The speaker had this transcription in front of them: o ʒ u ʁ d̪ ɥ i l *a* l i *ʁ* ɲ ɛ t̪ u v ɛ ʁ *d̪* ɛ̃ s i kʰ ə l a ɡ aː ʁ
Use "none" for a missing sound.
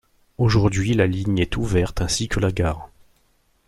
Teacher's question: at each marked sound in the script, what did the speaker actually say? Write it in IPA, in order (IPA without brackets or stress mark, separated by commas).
a, none, t̪